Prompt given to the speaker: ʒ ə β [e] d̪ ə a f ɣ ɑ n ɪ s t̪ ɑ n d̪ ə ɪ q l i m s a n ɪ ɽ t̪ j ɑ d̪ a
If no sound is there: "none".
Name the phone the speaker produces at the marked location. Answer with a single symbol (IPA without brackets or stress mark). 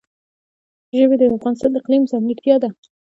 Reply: e